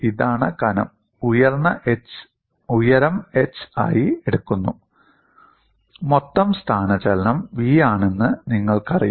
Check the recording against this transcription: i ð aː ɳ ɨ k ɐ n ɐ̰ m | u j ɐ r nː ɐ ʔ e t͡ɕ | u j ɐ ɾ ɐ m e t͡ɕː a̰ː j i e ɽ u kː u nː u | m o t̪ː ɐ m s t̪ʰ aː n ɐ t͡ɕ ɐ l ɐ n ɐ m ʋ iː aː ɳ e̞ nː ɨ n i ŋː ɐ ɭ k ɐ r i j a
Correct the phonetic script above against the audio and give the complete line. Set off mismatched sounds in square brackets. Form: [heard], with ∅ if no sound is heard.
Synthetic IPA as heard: i ð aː ɳ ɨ k ɐ n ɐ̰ m | u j ɐ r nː ɐ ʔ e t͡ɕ | u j ɐ ɾ ɐ m e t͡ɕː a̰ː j i e ɽ u kː u nː u | m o t̪ː ɐ m s t̪ʰ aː n ɐ t͡ɕ ɐ l ɐ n ɐ m ʋ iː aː ɳ e̞ nː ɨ n i ŋː ɐ ɭ k ɐ r i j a

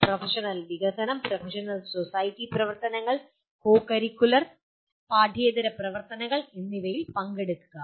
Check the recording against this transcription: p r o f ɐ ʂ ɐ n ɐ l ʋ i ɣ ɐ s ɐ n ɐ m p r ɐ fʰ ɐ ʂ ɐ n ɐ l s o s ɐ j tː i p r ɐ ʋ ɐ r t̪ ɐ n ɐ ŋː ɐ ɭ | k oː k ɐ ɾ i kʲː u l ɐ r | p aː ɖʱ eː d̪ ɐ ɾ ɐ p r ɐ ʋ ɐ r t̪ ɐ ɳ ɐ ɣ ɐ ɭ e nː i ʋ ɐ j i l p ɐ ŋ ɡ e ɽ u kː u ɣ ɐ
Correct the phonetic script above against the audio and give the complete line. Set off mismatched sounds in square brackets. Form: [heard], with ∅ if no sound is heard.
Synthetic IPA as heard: p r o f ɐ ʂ ɐ n ɐ l ʋ i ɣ ɐ s ɐ n ɐ m p r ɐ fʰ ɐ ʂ ɐ n ɐ l s o s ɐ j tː i p r ɐ ʋ ɐ r t̪ ɐ n ɐ ŋː ɐ ɭ | k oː k ɐ ɾ i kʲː u l ɐ r | p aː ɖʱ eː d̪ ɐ ɾ ɐ p r ɐ ʋ ɐ r t̪ ɐ [n] ɐ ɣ ɐ ɭ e nː i ʋ ɐ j i l p ɐ ŋ ɡ e ɽ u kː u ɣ ɐ

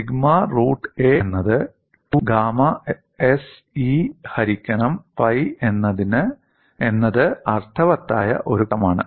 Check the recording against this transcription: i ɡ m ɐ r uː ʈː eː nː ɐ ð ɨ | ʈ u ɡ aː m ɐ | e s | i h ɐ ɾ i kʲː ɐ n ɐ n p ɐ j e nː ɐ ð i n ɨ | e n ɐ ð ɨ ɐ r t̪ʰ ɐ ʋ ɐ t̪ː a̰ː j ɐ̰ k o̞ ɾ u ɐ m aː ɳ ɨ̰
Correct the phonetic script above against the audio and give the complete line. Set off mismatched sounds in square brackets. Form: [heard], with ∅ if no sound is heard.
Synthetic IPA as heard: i ɡ m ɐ r uː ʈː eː nː ɐ ð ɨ | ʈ u ɡ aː m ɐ | e s | i h ɐ ɾ i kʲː ɐ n ɐ [m] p ɐ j e nː ɐ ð i n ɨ | e [nː] ɐ ð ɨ ɐ r t̪ʰ ɐ ʋ ɐ t̪ː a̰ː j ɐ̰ [ʔ] o̞ ɾ u ɐ m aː ɳ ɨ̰

